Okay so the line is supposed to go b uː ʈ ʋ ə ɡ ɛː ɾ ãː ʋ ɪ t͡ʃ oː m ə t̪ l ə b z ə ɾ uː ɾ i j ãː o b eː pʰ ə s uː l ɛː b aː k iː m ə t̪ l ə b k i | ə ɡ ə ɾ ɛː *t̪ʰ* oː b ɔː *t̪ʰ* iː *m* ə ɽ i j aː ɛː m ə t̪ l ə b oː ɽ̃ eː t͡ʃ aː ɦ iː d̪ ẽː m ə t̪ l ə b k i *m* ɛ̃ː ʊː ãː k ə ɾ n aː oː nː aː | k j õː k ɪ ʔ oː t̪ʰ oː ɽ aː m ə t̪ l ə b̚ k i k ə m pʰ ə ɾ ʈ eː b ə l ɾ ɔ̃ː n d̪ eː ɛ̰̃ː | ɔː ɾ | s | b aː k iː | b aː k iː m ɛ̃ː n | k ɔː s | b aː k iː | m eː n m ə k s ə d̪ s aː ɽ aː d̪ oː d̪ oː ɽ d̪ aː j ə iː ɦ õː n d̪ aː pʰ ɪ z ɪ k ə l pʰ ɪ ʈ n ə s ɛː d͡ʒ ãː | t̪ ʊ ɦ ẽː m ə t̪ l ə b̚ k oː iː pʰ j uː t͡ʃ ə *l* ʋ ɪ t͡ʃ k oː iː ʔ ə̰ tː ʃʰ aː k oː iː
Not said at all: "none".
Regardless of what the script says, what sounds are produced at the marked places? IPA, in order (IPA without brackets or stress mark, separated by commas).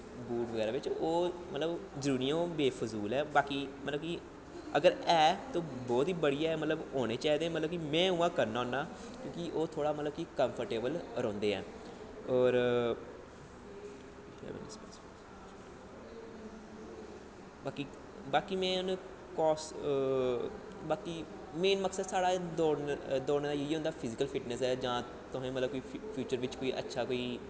t̪, t̪, b, m, ɾ